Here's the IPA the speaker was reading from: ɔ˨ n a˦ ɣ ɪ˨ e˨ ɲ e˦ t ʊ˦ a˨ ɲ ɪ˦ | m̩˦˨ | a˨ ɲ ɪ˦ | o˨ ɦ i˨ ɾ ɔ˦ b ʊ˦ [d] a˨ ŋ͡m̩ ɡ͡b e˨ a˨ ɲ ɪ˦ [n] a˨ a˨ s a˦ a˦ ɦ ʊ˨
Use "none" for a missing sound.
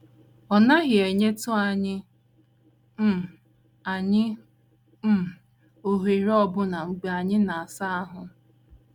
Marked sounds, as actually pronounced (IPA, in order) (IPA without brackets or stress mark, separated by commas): n, n